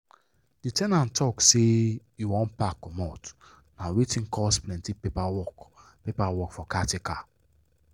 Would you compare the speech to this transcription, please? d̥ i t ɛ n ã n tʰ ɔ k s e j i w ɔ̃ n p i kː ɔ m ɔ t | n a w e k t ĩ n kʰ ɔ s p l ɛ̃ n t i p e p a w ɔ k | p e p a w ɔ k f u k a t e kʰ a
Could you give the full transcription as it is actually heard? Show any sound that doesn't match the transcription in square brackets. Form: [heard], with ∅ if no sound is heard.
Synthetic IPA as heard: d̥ i t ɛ n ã n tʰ ɔ k s e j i w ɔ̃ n p [a] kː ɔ m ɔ t | n a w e [∅] t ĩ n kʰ ɔ s p l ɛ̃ n t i p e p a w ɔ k | p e p a w ɔ k f [ɔ] k a t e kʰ a